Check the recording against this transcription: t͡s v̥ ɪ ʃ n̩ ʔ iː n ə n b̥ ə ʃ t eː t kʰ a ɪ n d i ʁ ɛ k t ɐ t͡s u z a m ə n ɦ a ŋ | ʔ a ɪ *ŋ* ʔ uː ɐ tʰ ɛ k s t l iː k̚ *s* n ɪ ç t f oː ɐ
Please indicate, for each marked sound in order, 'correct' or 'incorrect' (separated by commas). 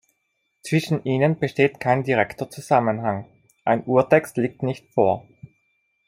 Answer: incorrect, incorrect